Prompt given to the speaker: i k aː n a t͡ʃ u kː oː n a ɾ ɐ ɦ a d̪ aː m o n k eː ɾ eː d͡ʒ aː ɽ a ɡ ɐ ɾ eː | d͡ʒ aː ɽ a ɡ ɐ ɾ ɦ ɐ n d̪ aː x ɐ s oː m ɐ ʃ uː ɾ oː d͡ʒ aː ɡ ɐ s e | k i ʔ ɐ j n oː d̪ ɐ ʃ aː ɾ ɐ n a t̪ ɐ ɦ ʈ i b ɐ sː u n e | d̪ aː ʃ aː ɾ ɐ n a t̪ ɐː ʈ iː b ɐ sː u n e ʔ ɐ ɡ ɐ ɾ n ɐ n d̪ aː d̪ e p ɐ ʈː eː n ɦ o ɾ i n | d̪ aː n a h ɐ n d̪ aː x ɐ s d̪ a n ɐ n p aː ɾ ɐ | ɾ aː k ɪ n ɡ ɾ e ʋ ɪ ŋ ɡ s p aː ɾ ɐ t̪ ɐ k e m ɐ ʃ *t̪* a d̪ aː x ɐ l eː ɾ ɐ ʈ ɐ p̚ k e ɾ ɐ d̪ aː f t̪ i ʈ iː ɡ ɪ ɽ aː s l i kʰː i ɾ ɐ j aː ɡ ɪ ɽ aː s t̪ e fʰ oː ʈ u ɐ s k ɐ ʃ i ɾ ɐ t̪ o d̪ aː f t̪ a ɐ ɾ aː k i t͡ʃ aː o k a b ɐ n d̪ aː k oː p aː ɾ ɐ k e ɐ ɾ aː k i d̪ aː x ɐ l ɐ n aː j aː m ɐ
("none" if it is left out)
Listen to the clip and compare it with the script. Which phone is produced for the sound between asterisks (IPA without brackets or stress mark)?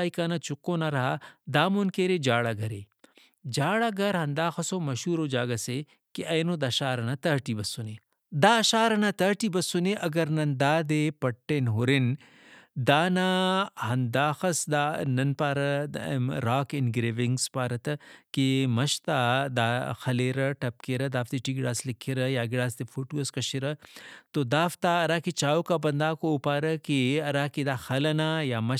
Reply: t̪